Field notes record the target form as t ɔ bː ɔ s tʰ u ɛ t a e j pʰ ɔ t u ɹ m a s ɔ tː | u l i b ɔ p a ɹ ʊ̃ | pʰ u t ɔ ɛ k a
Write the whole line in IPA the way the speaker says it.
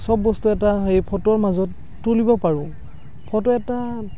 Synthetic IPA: s ɔ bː ɔ s t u ɛ t a e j pʰ ɔ t ɔ ɹ m a z ɔ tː | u l i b ɔ p a ɹ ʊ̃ | pʰ ɔ t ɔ ɛ t a